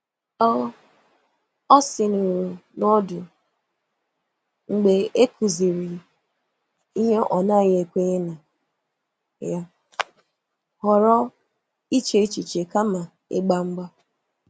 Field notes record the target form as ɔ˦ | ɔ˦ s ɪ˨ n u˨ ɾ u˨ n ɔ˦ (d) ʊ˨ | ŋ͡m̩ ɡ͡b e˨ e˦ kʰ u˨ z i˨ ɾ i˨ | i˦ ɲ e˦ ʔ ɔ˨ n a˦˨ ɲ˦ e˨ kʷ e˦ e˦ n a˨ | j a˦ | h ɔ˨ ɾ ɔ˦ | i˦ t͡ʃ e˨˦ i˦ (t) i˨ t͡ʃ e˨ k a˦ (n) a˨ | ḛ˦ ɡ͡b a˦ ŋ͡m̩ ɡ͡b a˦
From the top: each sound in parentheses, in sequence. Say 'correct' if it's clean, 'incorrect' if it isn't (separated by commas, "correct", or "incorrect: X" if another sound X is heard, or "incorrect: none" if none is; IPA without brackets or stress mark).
correct, incorrect: t͡ʃ, incorrect: m